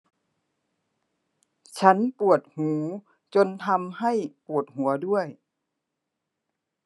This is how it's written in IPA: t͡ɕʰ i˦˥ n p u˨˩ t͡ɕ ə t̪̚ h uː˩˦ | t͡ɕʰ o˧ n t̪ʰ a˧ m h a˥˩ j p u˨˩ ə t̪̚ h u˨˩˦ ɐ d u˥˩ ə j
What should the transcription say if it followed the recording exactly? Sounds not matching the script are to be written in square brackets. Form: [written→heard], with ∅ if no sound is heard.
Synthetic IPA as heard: t͡ɕʰ [i˦˥→a˦˥] n p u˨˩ [t͡ɕ→∅] ə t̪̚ h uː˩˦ | [t͡ɕʰ→t͡ɕ] o˧ n t̪ʰ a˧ m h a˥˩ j p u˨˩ ə t̪̚ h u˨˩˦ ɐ d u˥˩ ə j